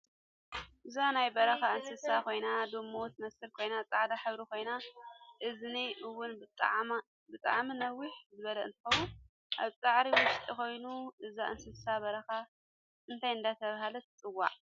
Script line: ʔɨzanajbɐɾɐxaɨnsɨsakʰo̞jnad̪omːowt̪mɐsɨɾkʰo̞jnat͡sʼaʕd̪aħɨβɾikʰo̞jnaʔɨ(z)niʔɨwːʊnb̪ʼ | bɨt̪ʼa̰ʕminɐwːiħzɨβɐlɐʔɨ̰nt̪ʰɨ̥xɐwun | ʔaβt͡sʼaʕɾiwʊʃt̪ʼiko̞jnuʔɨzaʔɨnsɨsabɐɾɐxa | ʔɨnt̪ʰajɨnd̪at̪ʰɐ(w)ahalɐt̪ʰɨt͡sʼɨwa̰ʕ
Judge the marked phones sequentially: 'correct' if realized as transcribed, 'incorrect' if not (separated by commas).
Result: correct, incorrect